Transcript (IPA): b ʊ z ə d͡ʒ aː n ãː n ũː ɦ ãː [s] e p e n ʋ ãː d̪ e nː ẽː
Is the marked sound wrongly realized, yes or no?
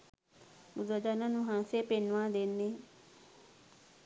no